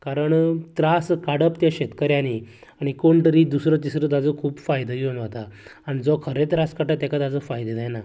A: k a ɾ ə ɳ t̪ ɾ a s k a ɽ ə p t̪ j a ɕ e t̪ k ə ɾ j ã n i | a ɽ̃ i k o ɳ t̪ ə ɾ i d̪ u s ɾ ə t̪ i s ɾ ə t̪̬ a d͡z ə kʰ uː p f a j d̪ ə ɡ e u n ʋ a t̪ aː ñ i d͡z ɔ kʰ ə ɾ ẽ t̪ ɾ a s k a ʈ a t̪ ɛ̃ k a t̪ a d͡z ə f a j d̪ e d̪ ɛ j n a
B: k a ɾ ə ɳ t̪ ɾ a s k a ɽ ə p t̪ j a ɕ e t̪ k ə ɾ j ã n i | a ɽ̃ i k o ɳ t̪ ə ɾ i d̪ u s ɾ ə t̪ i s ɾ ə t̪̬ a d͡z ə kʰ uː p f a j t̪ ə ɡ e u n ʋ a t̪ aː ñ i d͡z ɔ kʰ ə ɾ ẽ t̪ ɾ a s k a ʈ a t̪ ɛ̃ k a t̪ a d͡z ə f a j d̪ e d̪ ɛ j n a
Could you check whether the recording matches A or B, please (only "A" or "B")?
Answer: A